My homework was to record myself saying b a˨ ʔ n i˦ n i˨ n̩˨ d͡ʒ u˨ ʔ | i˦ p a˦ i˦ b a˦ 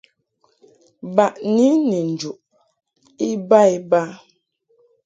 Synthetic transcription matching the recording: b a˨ ʔ n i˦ n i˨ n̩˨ d͡ʒ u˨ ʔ | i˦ b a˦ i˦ b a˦